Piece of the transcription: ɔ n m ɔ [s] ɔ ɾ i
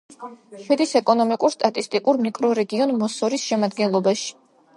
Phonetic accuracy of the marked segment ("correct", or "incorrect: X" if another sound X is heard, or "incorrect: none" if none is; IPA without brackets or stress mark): correct